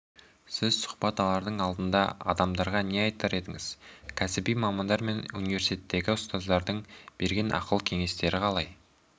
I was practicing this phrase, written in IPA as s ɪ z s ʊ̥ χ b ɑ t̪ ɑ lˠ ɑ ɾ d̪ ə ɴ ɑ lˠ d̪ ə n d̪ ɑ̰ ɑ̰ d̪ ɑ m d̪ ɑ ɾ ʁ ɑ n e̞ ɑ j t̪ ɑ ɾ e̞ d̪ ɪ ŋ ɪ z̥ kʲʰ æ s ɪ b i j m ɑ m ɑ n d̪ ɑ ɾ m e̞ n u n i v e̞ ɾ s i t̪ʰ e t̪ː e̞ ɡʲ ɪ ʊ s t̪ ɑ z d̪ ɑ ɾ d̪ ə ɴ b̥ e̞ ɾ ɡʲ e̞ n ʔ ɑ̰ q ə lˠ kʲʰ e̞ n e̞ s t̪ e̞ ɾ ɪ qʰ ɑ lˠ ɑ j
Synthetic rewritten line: s ɪ z s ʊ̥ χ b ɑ t̪ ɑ lˠ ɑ ɾ d̪ ə ɴ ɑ lˠ d̪ ə n d̪ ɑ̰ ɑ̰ d̪ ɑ m d̪ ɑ ɾ ʁ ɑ n e̞ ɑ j t̪ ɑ ɾ e̞ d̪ ɪ ŋ ɪ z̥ kʲʰ æ s ɪ b i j m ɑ m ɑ n d̪ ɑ ɾ m e̞ n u n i v e̞ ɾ s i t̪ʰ e t̪ː e̞ ɡʲ ɪ ʊ s t̪ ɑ z d̪ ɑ ɾ d̪ ə ɴ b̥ e̞ ɾ ɡʲ e̞ n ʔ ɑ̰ q ə lˠ kʲʰ e̞ ŋ e̞ s t̪ e̞ ɾ ɪ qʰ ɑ lˠ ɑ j